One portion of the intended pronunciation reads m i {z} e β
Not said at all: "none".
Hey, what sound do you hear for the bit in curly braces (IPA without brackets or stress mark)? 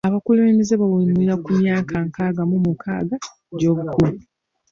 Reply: z